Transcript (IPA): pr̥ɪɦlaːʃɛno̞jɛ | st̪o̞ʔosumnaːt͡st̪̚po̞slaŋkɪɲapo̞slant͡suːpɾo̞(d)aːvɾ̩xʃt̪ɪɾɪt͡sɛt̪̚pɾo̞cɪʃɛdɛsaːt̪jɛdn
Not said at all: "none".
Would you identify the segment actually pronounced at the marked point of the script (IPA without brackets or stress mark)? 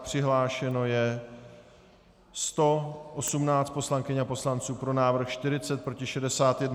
n